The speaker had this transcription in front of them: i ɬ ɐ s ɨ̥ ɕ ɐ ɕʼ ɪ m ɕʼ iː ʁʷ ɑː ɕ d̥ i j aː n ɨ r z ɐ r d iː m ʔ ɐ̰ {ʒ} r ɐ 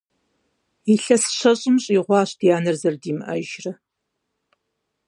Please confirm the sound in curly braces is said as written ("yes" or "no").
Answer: yes